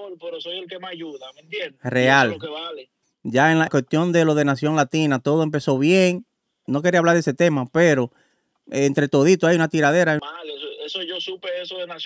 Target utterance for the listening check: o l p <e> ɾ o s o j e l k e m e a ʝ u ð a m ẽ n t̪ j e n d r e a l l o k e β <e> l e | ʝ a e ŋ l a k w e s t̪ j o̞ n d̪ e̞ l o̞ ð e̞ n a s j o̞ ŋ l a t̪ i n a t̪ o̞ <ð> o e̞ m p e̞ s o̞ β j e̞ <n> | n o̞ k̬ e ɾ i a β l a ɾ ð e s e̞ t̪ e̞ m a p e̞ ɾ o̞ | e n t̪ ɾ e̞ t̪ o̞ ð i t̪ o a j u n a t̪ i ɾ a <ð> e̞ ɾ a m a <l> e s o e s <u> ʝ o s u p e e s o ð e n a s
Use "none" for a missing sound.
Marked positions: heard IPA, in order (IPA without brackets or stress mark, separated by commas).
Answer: e, a, ð, ŋ, ð, l, o